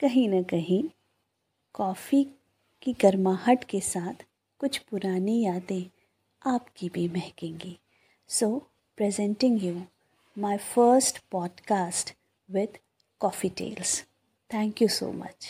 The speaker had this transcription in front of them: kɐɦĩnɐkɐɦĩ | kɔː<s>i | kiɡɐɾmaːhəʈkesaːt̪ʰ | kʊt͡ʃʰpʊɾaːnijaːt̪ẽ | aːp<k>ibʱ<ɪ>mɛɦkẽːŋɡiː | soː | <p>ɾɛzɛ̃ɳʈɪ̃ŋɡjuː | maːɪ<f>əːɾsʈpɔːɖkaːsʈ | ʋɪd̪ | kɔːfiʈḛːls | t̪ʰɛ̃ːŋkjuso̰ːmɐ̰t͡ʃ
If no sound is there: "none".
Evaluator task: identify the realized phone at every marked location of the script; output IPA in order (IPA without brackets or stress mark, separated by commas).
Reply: f, k, i, p, f